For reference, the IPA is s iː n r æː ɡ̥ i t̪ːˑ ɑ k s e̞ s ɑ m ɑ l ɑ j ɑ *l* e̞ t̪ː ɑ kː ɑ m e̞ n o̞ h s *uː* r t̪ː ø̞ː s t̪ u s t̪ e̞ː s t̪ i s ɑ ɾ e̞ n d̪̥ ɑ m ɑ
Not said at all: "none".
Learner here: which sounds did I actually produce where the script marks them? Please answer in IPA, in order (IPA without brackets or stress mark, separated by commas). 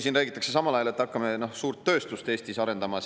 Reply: l, uː